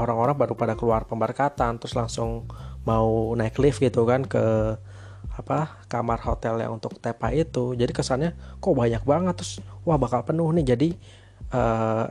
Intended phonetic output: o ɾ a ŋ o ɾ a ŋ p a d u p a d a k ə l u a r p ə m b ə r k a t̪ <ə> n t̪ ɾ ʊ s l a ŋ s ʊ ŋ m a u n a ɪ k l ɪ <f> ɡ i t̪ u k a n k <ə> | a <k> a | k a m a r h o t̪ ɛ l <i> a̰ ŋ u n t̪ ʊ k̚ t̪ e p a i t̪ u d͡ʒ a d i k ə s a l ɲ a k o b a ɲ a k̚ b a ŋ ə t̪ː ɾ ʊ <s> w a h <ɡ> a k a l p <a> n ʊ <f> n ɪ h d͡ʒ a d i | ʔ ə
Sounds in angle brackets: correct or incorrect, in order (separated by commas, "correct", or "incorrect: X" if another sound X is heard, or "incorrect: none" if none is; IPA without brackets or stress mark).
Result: incorrect: a, correct, correct, incorrect: p, incorrect: j, correct, incorrect: b, incorrect: ə, incorrect: h